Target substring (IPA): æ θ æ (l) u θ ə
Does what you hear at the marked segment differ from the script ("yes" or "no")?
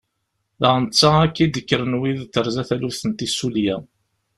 no